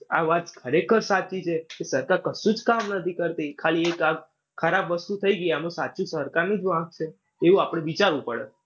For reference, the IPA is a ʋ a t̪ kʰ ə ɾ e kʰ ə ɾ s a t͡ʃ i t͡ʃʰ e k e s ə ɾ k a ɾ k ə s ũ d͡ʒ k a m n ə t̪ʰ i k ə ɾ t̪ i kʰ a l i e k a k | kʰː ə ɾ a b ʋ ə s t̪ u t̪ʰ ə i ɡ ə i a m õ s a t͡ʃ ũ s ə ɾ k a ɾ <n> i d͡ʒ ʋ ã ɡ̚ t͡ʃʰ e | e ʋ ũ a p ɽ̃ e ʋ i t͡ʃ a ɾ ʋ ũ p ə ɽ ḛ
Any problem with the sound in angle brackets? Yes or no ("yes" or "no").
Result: no